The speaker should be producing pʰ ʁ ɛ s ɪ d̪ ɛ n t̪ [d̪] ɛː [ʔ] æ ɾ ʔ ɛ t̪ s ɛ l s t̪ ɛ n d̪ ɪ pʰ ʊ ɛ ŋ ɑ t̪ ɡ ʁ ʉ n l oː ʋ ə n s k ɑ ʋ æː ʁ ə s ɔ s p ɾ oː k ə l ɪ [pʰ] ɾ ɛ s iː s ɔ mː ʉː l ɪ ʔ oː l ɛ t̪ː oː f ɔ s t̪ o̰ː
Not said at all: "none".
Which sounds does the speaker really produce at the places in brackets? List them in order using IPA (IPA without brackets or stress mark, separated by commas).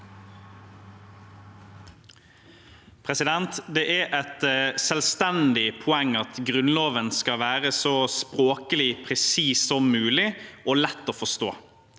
d̪, ʔ, pʰ